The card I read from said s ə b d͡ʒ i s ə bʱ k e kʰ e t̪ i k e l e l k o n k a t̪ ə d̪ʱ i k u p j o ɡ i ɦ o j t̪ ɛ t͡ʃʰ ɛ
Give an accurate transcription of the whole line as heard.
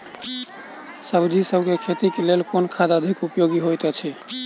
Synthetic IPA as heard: s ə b d͡ʒ i s ə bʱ k e kʰ e t̪ i k e l e l k o n kʰ a d̪ ə d̪ʱ i k u p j o ɡ i ɦ o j t̪ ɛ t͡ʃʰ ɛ